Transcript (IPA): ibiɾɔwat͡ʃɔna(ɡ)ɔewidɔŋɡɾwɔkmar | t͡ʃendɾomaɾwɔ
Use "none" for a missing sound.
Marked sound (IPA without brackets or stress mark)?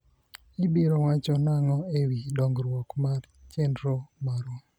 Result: ŋ